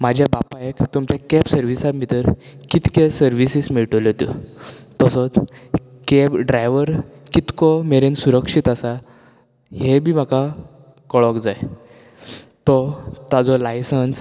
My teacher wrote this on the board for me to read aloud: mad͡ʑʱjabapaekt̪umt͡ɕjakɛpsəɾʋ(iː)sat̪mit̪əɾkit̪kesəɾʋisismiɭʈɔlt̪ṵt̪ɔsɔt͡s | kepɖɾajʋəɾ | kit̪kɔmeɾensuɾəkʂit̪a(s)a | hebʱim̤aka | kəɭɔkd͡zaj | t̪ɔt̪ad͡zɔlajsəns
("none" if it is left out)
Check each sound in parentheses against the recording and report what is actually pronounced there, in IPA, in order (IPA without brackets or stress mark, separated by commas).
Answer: i, s